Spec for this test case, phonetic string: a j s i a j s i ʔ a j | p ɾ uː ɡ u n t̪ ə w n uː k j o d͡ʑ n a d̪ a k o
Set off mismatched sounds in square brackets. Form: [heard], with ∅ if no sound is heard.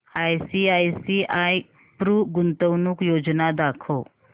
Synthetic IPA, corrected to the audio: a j s i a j s i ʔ a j | p ɾ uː ɡ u n t̪ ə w n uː k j o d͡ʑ n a d̪ a [kʰ] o